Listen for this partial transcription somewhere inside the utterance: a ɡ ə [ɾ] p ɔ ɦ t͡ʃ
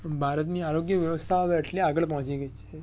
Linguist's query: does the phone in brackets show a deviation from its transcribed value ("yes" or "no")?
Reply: yes